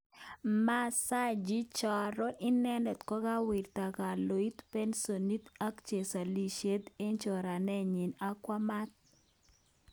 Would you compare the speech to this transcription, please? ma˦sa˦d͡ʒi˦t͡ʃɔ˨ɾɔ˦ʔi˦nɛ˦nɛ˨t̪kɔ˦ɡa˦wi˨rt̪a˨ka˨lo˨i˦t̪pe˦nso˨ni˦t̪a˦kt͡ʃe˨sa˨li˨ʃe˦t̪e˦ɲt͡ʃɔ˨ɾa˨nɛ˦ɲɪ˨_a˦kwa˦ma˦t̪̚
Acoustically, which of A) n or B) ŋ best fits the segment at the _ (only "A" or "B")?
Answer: A